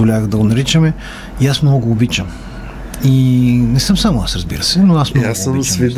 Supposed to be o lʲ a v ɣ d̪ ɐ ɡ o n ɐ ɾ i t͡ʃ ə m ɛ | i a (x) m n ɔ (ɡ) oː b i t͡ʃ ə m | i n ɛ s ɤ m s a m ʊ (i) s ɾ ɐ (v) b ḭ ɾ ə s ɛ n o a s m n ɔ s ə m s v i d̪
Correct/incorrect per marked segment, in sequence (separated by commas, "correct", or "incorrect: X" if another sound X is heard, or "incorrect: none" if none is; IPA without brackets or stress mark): incorrect: s, correct, incorrect: a, incorrect: z